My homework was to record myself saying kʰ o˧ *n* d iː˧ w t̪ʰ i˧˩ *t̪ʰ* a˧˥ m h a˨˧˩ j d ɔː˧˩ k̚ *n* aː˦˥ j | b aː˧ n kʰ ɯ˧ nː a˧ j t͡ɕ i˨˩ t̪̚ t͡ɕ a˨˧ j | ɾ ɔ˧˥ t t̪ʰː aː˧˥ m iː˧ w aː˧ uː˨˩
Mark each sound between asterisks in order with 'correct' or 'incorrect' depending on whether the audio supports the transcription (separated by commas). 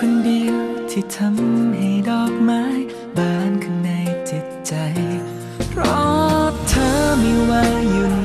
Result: correct, correct, incorrect